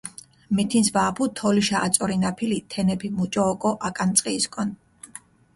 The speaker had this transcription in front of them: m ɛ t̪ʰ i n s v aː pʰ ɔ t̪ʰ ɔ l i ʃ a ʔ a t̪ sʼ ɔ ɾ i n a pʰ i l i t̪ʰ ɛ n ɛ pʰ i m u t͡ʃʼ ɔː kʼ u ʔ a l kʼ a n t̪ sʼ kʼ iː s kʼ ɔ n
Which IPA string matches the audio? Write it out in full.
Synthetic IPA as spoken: m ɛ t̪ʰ i n s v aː pʰ u t̪ʰ ɔ l i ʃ a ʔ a t̪ sʼ ɔ ɾ i n a pʰ i l i t̪ʰ ɛ n ɛ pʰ i m u t͡ʃʼ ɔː kʼ ɔ ʔ a kʼ a n t̪ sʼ qʼ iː s kʼ ɔ n